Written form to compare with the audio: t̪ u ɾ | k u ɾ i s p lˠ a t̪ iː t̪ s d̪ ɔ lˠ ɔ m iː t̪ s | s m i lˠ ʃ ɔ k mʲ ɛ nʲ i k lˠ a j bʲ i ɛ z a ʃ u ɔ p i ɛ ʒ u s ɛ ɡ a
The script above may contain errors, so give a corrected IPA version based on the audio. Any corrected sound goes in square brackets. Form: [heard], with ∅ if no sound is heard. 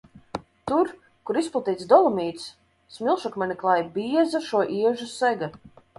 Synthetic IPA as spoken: t̪ u ɾ | k u ɾ i s p lˠ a t̪ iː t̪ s d̪ ɔ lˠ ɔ m iː t̪ s | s m i lˠ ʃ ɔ k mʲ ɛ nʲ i k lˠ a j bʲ i ɛ z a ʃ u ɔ [ʔ] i ɛ ʒ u s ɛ ɡ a